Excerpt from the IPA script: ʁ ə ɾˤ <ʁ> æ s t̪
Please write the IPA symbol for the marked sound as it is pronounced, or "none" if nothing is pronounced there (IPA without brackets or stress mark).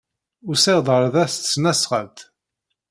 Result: ð